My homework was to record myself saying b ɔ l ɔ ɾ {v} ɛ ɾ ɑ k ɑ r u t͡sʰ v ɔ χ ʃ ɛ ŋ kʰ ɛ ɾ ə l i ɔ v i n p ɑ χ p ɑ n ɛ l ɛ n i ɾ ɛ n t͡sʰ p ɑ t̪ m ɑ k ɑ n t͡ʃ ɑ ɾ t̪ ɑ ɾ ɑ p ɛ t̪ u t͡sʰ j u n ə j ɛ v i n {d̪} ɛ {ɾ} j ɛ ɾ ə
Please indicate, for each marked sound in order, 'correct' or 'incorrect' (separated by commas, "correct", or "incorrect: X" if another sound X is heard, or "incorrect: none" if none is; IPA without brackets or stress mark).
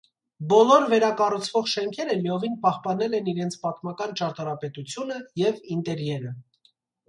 correct, incorrect: t̪, correct